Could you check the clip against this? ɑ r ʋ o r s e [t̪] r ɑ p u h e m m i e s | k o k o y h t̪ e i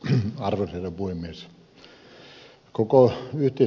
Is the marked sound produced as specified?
no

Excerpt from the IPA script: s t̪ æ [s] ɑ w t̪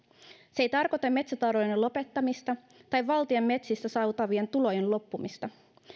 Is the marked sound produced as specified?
yes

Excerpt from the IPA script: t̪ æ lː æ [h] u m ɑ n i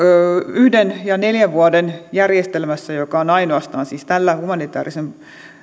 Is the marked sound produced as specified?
yes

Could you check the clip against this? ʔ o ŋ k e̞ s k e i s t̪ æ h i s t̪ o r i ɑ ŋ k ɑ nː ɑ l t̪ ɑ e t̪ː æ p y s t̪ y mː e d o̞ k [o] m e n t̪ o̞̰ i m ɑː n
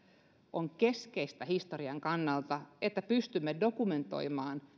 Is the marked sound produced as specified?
no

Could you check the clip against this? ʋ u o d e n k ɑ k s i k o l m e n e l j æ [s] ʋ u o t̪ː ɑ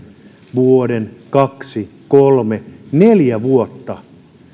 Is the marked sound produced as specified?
no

